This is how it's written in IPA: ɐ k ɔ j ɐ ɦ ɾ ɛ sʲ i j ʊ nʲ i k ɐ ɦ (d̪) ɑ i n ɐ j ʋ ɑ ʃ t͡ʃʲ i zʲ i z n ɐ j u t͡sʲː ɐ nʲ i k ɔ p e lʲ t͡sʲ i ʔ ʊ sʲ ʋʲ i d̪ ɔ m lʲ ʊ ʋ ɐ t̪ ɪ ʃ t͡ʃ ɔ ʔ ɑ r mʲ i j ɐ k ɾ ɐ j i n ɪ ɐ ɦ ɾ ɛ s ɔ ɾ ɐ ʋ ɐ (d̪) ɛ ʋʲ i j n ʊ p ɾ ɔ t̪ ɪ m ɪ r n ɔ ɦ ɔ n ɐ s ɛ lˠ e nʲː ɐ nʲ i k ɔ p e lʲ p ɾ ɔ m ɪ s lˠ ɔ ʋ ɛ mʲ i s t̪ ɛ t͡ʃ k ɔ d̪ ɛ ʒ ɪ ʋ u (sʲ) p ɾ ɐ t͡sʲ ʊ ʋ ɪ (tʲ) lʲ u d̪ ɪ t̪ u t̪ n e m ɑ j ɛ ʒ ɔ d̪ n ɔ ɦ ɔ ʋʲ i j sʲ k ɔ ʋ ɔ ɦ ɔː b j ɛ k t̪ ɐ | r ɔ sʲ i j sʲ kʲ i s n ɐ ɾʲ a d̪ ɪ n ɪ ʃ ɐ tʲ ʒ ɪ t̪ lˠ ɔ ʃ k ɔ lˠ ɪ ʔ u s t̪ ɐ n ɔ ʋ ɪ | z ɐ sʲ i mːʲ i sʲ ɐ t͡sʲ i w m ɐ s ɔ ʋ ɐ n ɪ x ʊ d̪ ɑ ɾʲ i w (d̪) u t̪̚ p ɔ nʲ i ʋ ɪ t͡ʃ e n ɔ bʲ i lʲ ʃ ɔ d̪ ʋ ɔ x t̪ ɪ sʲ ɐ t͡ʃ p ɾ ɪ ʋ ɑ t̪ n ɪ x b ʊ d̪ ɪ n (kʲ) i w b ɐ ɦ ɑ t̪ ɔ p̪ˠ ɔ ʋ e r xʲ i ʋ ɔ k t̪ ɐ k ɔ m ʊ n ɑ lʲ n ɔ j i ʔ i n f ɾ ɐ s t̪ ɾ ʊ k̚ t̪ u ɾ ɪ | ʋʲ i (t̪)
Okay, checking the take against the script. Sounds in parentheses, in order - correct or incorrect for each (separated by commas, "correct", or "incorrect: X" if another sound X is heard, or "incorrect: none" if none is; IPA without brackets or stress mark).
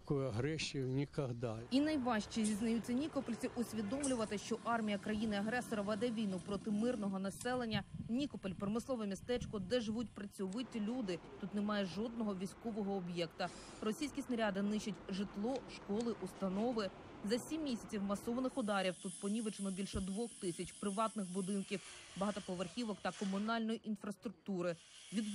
correct, correct, incorrect: tʲ, correct, incorrect: t̪, correct, incorrect: d̪